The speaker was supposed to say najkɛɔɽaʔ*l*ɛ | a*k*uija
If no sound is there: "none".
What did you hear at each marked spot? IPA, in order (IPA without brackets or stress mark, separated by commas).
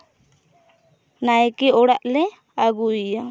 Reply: l, ɡ